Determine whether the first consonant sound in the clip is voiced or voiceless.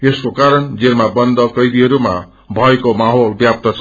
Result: voiceless